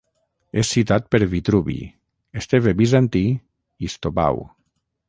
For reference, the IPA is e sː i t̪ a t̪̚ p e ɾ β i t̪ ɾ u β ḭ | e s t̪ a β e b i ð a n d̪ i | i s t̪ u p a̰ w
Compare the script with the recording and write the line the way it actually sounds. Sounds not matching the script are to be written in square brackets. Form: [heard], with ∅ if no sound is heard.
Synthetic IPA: e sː i t̪ a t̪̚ p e ɾ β i t̪ ɾ u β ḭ | e s t̪ [e] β e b i [z] a n [t̪] i | i s t̪ [o] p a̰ w